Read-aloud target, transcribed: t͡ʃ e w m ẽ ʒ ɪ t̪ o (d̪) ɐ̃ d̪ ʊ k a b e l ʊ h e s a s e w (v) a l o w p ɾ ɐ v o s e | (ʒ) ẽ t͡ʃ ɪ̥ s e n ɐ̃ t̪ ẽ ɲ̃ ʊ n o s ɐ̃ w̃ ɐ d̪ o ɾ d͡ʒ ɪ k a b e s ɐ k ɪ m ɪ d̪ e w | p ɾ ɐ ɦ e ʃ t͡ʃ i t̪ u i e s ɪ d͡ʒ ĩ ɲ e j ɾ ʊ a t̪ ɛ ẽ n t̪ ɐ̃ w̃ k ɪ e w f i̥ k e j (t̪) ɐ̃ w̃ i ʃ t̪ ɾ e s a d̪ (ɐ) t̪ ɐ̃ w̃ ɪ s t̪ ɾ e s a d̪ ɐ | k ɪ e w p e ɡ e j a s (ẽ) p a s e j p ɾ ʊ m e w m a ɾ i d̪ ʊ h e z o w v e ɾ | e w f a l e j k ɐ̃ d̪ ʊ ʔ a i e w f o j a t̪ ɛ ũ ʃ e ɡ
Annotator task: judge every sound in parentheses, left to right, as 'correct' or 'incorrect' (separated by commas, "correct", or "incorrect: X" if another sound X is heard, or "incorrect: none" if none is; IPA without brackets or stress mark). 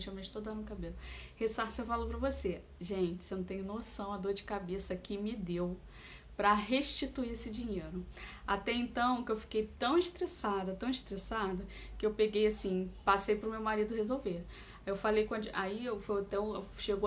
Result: correct, incorrect: f, correct, correct, correct, incorrect: ĩ